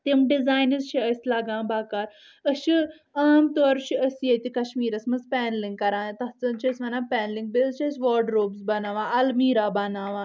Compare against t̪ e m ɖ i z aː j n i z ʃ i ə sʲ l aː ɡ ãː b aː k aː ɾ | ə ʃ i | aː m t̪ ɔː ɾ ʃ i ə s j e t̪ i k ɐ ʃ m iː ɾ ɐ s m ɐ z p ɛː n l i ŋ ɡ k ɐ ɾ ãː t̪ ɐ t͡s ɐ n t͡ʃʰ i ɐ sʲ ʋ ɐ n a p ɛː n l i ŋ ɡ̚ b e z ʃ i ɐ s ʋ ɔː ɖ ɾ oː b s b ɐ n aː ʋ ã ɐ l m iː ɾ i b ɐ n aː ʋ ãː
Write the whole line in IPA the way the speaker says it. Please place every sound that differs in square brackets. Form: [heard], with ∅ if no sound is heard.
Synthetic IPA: t̪ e m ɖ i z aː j n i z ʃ i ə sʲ l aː ɡ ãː b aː k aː ɾ | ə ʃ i | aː m t̪ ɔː ɾ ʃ i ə s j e t̪ i k ɐ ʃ m iː ɾ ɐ s m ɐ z p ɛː n l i ŋ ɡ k ɐ ɾ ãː t̪ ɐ t͡s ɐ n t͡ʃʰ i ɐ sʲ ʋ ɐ n a p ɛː n l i ŋ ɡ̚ b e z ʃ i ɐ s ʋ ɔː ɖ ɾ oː b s b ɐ n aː ʋ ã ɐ l m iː ɾ [a] b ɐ n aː ʋ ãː

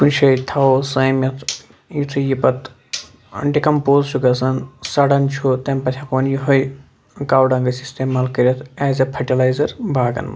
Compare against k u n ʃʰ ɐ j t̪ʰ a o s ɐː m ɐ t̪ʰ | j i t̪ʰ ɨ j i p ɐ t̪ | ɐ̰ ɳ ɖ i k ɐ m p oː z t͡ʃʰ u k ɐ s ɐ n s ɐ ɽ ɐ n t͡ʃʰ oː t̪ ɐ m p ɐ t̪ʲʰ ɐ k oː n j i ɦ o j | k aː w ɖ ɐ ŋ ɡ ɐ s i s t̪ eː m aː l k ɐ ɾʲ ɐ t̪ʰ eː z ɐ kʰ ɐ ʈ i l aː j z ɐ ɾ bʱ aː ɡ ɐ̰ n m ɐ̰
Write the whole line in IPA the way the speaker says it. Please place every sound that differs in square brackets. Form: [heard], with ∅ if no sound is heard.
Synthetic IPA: k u n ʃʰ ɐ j t̪ʰ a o s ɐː m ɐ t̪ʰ | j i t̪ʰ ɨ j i p ɐ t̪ | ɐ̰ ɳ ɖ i k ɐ m p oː z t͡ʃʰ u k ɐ s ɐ n s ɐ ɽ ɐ n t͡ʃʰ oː t̪ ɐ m p ɐ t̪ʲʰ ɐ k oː n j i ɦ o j | k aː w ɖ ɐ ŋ ɡ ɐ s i s t̪ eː m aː l k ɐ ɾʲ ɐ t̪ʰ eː z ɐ [pʰ] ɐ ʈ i l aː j z ɐ ɾ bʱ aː ɡ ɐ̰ n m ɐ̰

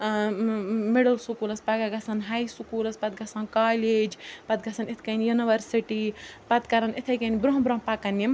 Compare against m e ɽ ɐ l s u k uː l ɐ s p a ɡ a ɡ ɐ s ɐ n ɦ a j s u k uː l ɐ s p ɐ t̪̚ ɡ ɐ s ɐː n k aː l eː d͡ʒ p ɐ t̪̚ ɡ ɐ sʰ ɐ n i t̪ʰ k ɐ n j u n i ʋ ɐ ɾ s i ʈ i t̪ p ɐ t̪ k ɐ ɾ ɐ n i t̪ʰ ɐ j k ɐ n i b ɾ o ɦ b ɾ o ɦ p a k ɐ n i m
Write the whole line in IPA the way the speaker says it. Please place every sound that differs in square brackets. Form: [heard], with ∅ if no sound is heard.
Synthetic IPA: m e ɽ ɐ l s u k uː l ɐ s p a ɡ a ɡ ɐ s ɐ n ɦ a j s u k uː l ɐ s p ɐ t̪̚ ɡ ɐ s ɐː n k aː l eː d͡ʒ p ɐ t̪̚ ɡ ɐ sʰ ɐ n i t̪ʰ k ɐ n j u n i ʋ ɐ ɾ s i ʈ i [∅] p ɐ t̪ k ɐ ɾ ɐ n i t̪ʰ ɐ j k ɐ n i b ɾ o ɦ b ɾ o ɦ p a k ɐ n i m

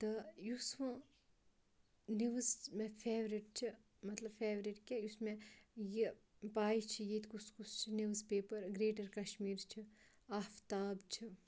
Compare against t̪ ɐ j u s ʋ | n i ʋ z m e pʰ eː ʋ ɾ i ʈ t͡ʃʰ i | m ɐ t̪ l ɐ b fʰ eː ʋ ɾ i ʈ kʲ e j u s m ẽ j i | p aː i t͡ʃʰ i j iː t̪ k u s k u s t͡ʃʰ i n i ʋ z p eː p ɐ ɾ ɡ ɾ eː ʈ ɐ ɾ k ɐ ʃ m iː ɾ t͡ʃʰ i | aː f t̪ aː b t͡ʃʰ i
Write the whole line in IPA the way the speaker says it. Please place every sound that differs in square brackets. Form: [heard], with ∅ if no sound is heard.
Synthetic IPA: t̪ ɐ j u s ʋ | n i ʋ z m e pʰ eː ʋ ɾ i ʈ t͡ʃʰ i | m ɐ t̪ l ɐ b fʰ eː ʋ ɾ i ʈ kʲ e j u s m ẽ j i | p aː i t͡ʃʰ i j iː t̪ k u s k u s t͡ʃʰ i n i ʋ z p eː p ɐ ɾ ɡ ɾ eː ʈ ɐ ɾ k ɐ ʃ m iː ɾ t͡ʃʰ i | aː f t̪ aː b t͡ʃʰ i

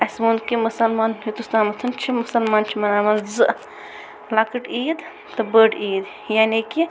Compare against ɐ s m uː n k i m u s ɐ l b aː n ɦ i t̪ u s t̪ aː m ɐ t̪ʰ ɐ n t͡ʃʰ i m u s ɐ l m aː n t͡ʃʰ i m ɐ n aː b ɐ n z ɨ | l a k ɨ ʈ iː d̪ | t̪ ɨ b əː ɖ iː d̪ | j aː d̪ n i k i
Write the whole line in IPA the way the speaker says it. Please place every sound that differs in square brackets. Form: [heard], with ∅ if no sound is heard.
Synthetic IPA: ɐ s m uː n k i m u s ɐ l [m] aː n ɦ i t̪ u s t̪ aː m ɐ t̪ʰ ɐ n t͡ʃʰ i m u s ɐ l m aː n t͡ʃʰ i m ɐ n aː [m] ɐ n z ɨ | l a k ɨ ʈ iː d̪ | t̪ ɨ b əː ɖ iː d̪ | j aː [∅] n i k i

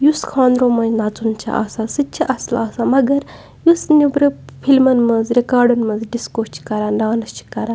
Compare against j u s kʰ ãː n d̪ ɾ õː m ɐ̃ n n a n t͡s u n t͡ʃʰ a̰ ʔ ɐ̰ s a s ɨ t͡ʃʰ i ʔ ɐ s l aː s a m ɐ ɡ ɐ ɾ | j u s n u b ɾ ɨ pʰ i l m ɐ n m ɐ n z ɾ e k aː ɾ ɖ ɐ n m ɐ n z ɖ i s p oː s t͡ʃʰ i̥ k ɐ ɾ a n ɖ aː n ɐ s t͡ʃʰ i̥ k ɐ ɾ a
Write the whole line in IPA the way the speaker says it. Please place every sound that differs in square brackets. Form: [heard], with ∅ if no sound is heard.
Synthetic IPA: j u s kʰ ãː n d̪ ɾ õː m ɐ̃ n n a [∅] t͡s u n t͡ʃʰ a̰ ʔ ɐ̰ s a s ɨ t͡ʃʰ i ʔ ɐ s l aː s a m ɐ ɡ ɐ ɾ | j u s n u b ɾ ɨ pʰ i l m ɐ n m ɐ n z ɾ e k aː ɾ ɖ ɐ n m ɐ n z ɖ i s [k] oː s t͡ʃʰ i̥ k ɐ ɾ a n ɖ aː n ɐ s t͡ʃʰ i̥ k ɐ ɾ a

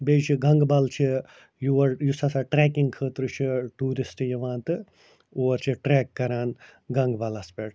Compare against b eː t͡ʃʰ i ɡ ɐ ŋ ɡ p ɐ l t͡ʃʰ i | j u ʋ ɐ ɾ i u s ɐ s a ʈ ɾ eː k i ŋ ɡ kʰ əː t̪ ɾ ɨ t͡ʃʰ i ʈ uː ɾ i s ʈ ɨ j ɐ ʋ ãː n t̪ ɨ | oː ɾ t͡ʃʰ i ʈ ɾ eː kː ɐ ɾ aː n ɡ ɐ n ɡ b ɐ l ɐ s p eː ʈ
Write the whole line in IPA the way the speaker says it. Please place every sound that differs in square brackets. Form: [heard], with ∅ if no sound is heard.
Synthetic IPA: b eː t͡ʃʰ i ɡ ɐ ŋ ɡ [b] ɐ l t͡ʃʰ i | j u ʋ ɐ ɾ [j] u s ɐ s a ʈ ɾ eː k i ŋ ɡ kʰ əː t̪ ɾ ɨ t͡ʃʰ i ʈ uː ɾ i s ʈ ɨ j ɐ ʋ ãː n t̪ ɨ | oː ɾ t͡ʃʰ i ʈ ɾ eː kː ɐ ɾ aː n ɡ ɐ [ŋ] ɡ b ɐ l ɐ s p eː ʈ

